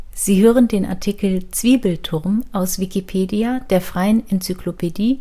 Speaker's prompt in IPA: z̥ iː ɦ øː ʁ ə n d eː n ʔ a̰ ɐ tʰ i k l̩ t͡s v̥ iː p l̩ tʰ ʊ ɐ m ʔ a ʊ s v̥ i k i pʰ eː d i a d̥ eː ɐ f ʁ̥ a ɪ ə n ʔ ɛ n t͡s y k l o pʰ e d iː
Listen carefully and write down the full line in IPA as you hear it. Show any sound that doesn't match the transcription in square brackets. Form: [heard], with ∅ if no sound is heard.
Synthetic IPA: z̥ iː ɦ øː ʁ ə n d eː n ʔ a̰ ɐ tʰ i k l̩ t͡s v̥ iː [b] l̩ tʰ ʊ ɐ m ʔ a ʊ s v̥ i k i pʰ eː d i a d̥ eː ɐ f ʁ̥ a ɪ ə n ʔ ɛ n t͡s y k l o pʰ e d iː